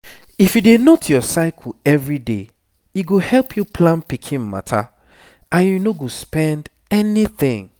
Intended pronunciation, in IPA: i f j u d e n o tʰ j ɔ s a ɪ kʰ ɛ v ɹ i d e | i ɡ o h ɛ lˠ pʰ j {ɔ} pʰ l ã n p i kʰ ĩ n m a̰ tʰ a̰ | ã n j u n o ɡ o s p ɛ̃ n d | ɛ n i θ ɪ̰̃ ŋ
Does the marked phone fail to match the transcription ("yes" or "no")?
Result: yes